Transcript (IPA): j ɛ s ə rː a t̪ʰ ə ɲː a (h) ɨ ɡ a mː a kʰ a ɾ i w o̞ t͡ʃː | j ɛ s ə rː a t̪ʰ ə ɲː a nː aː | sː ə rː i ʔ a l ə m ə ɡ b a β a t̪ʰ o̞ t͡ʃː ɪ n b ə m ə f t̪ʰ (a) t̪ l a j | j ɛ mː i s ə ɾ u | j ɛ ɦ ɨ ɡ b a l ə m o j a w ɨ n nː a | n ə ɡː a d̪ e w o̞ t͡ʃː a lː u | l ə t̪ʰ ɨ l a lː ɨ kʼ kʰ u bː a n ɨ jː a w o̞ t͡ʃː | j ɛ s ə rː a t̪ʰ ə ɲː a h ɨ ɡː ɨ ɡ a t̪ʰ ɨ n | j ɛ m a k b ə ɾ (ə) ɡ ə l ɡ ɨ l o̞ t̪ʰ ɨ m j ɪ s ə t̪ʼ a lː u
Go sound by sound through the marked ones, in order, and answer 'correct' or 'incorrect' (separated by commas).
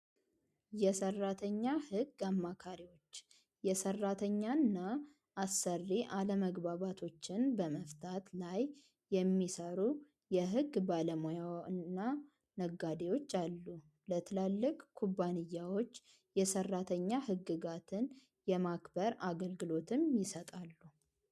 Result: correct, correct, incorrect